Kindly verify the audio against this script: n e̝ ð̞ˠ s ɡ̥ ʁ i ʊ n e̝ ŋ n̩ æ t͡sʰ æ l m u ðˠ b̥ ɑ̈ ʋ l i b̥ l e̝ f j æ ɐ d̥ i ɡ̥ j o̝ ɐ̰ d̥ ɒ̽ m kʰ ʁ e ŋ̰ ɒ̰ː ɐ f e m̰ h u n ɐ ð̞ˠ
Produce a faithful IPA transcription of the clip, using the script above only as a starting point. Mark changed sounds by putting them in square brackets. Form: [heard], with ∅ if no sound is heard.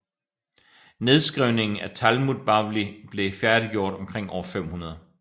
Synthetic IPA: n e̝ ð̞ˠ s ɡ̥ ʁ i ʊ n e̝ ŋ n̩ æ t͡sʰ æ l m u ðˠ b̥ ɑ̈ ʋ l i b̥ l e̝ f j æ ɐ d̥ i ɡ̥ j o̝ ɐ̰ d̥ ɒ̽ m kʰ ʁ e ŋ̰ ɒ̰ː ɐ f e m̰ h u n ɐ ð̞ˠ